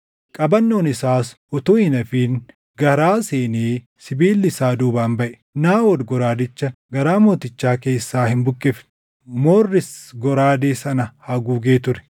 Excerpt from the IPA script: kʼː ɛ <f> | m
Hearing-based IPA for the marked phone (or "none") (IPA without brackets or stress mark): f